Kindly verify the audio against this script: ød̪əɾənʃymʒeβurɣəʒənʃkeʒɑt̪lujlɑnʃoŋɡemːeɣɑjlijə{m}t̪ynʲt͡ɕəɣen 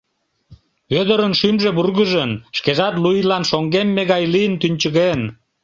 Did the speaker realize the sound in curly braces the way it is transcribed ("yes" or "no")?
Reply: no